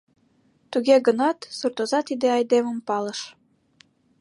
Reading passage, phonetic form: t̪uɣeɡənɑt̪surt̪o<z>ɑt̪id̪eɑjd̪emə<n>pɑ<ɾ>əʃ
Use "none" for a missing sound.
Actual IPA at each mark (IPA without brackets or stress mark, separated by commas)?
z, m, l